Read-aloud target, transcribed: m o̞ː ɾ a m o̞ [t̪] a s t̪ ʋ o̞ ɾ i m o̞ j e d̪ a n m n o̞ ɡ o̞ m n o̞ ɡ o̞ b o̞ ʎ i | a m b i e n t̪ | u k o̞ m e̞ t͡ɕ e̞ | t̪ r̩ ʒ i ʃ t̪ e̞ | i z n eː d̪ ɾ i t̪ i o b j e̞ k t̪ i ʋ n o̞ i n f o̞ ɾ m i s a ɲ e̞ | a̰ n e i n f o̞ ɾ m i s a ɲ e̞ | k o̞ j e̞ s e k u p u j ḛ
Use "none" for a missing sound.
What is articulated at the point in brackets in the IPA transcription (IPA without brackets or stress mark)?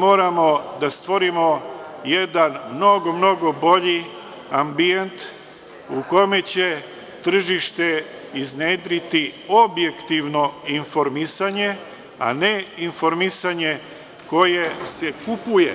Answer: d̪